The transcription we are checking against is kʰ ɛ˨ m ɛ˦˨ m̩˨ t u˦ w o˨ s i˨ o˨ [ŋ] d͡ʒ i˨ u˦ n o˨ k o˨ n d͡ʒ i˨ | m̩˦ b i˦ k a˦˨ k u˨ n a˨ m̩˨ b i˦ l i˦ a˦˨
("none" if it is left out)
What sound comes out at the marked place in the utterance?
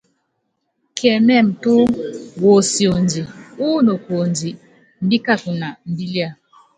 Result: n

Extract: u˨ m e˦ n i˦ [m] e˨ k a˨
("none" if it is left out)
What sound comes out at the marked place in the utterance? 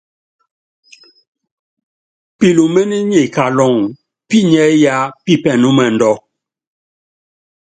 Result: ɲ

